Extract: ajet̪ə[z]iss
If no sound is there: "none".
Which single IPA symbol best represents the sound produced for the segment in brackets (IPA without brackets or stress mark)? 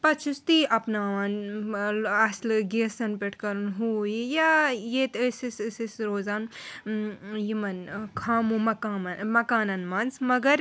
s